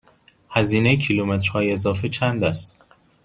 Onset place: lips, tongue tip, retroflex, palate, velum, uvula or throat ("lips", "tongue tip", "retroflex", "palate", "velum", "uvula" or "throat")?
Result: throat